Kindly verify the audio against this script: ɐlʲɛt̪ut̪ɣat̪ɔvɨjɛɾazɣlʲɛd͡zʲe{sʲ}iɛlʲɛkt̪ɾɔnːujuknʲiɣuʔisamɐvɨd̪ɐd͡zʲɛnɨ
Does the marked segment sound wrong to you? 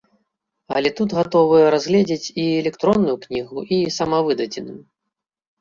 yes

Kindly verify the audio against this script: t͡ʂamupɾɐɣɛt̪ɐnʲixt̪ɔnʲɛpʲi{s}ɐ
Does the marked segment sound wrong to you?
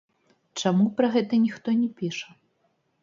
yes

